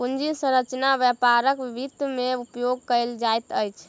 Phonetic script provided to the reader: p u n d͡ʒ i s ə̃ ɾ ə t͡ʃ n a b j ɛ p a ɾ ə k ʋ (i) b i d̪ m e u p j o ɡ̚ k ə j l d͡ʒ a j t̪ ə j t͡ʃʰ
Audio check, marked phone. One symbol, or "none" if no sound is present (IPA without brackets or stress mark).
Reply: i